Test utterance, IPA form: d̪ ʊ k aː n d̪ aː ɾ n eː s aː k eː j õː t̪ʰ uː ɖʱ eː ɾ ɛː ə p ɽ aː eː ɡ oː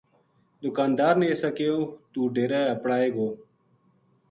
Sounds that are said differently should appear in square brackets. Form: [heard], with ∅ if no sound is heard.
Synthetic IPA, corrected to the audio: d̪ ʊ k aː n d̪ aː ɾ n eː s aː k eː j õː [t̪] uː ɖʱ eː ɾ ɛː ə p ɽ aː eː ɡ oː